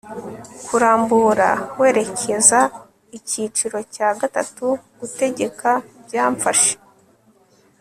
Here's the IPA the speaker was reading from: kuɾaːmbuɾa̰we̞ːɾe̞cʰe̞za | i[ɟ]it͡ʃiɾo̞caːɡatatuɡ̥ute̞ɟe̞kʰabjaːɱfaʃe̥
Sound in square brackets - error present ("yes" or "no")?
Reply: yes